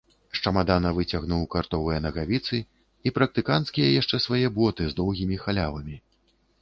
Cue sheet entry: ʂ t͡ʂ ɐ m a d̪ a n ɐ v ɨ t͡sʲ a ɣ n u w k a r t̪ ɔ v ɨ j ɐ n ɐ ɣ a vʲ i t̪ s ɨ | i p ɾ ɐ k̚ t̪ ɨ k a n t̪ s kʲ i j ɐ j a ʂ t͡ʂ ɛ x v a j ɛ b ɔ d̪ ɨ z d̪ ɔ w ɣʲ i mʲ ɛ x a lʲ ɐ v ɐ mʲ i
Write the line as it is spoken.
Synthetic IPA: ʂ t͡ʂ ɐ m a d̪ a n ɐ v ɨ t͡sʲ a ɣ n u w k a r t̪ ɔ v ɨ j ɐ n ɐ ɣ a vʲ i t̪ s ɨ | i p ɾ ɐ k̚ t̪ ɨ k a n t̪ s kʲ i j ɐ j a ʂ t͡ʂ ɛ s v a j ɛ b ɔ t̪ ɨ z d̪ ɔ w ɣʲ i mʲ i x a lʲ a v ɐ mʲ i